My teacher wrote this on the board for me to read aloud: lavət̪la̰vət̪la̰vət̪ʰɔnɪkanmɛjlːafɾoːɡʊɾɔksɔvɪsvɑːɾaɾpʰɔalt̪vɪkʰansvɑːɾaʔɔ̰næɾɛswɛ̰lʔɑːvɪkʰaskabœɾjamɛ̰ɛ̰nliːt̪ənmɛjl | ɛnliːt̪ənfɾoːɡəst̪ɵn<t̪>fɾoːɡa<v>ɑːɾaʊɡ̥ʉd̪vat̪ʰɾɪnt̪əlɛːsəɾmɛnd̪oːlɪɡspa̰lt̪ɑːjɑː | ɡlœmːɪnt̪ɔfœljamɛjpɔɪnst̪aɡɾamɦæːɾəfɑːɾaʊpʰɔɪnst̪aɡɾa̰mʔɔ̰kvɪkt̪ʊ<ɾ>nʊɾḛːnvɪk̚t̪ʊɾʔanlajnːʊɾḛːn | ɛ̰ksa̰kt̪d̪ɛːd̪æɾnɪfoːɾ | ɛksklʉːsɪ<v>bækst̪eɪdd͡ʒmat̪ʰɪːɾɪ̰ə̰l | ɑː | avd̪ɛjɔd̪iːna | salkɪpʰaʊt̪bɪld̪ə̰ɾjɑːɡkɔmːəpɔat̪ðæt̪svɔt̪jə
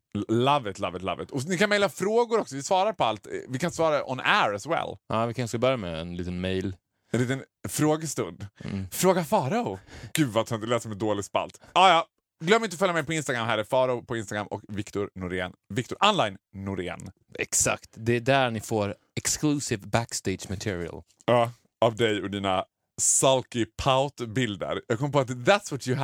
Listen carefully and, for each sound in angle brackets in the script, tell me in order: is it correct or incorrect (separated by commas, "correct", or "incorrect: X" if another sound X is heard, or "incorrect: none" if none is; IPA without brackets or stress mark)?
incorrect: d̪, incorrect: f, correct, correct